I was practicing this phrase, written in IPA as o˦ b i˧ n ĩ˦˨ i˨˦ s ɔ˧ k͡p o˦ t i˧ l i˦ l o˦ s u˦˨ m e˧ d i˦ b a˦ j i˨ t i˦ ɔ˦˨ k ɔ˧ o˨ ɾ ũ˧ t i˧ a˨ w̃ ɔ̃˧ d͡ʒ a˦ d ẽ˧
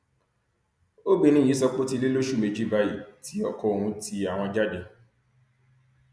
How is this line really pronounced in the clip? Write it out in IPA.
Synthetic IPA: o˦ b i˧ n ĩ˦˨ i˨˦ s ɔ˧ k͡p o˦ t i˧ l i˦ l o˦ ʃ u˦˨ m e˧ d͡ʒ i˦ b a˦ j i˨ t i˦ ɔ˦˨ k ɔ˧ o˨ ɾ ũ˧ t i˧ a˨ w̃ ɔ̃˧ d͡ʒ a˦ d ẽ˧